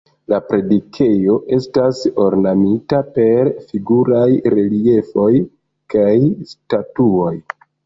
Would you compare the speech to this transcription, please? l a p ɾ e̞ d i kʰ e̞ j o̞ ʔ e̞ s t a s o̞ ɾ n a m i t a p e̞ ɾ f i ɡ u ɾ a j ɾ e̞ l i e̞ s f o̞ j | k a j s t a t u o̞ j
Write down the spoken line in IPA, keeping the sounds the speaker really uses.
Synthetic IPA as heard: l a p ɾ e̞ d i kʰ e̞ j o̞ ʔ e̞ s t a s o̞ ɾ n a m i t a p e̞ ɾ f i ɡ u ɾ a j ɾ e̞ l i e̞ f o̞ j | k a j s t a t u o̞ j

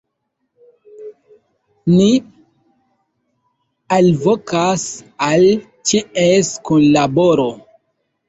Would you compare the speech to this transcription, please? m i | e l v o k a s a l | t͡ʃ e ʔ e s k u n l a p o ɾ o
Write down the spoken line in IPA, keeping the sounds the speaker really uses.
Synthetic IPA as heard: n i | a l v o k a s a l | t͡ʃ i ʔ e s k u n l a b o ɾ o

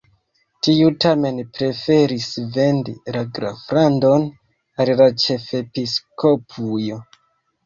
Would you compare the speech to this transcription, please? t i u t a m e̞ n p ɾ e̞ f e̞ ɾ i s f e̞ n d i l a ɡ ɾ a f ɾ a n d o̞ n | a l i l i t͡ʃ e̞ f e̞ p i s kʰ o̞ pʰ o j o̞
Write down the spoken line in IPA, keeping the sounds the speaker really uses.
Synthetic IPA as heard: t i u t a m e̞ n p ɾ e̞ f e̞ ɾ i s v e̞ n d i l a ɡ ɾ a f ɾ a n d o̞ n | a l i l a t͡ʃ e̞ f e̞ p i s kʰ o̞ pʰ u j o̞

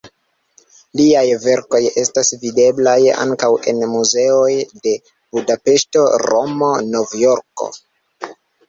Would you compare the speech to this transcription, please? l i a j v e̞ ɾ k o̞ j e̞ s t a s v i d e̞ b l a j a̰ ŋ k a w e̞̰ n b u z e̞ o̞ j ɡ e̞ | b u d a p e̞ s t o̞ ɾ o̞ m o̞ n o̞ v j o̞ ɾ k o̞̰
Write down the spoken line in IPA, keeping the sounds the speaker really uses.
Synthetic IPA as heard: l i a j v e̞ ɾ k o̞ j e̞ s t a s v i d e̞ b l a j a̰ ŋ k a w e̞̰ n m u z e̞ o̞ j d e̞ | b u d a p e̞ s t o̞ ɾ o̞ m o̞ n o̞ v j o̞ ɾ k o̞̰

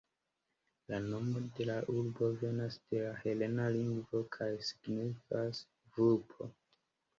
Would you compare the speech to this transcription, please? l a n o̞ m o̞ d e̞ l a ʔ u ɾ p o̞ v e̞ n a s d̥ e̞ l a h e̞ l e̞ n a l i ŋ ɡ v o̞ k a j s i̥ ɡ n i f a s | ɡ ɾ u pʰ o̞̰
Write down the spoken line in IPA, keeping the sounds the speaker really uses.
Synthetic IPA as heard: l a n o̞ m o̞ d e̞ l a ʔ u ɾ b o̞ v e̞ n a s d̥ e̞ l a h e̞ l e̞ n a l i ŋ ɡ v o̞ kʰ a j s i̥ ɡ n i f a s | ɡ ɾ u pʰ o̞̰

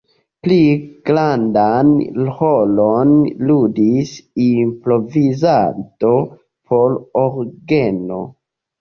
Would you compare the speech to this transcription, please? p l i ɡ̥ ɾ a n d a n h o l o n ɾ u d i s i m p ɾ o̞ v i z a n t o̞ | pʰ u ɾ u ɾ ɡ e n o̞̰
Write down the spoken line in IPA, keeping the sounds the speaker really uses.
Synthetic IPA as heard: p l i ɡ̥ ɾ a n d a n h o l o n l u d i s i m p ɾ o̞ v i z a n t o̞ | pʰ o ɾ o ɾ ɡ e n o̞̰

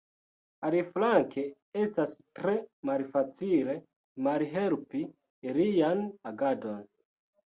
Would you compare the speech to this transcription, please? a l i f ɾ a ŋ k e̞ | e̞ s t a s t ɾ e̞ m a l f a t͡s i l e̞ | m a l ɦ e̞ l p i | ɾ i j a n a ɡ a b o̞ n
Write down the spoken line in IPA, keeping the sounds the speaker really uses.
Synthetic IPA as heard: a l i f l a ŋ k e̞ | e̞ s t a s t ɾ e̞ m a l f a t͡s i l e̞ | m a l ɦ e̞ l p i | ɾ i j a n a ɡ a d o̞ n

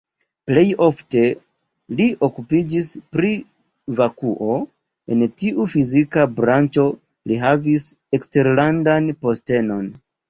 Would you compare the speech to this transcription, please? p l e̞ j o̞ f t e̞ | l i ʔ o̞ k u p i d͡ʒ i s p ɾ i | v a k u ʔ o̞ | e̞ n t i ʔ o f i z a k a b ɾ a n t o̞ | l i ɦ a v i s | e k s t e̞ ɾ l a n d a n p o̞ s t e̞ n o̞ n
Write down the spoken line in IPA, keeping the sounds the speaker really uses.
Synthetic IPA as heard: p l e̞ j o̞ f t e̞ | l i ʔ o̞ k u p i d͡ʒ i s p ɾ i | v a k u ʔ o̞ | e̞ n t i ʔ u f i z i k a b ɾ a n t͡ʃ o̞ | l i ɦ a v i s | e k s t e̞ ɾ l a n d a n p o̞ s t e̞ n o̞ n

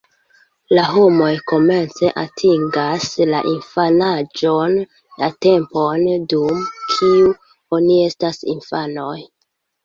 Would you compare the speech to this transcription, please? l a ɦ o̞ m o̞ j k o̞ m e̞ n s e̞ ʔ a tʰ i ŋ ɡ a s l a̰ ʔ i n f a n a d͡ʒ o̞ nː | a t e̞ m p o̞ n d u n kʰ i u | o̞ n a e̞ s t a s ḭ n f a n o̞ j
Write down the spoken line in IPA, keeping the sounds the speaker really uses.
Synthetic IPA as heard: l a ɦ o̞ m o̞ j k o̞ m e̞ n t͡s e̞ ʔ a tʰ i ŋ ɡ a s l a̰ ʔ i n f a n a d͡ʒ o̞ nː | a t e̞ m p o̞ n d u m kʰ i u | o̞ n i e̞ s t a s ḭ n f a n o̞ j

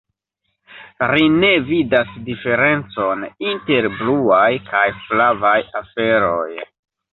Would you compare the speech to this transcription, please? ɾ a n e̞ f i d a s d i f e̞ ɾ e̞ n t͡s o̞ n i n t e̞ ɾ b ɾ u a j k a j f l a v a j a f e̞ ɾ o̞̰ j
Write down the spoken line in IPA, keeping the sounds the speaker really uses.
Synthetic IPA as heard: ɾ i n e̞ v i d a s d i f e̞ ɾ e̞ n t͡s o̞ n i n t e̞ ɾ b l u a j k a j f l a v a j a f e̞ ɾ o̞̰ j

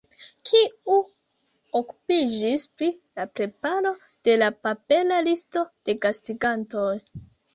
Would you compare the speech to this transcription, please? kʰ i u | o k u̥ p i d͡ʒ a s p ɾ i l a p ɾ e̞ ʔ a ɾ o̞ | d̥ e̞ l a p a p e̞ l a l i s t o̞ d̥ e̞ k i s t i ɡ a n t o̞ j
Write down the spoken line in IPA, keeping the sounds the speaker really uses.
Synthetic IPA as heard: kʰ i u | o k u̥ p i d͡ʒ i s p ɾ i l a p ɾ e̞ p a ɾ o̞ | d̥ e̞ l a p a p e̞ l a l i s t o̞ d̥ e̞ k a s t i ɡ a n t o̞ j

